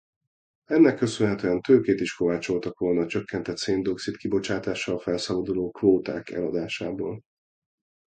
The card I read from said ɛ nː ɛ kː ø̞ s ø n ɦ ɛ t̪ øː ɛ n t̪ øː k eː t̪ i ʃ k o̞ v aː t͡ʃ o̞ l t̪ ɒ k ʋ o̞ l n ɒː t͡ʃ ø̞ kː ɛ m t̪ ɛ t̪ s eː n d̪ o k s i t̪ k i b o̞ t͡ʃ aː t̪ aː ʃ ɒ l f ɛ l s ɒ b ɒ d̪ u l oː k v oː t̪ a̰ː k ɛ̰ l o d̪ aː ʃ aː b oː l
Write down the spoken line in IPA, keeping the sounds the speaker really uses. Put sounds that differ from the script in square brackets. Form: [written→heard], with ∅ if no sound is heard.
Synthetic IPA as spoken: ɛ nː ɛ kː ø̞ s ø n ɦ ɛ t̪ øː ɛ n t̪ øː k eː t̪ i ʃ k o̞ v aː t͡ʃ o̞ l t̪ ɒ k ʋ o̞ l n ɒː t͡ʃ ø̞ kː ɛ [m→n] t̪ ɛ t̪ s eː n d̪ o k s i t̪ k i b o̞ t͡ʃ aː t̪ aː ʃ ɒ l f ɛ l s ɒ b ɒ d̪ u l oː k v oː t̪ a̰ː k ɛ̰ l [o→ɒ] d̪ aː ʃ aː b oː l